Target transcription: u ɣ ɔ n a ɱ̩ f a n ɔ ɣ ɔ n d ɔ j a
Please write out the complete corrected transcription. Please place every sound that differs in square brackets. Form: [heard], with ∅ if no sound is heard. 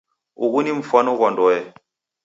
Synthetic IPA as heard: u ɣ [u] n [i] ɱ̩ f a n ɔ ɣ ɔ n d ɔ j [ɛ]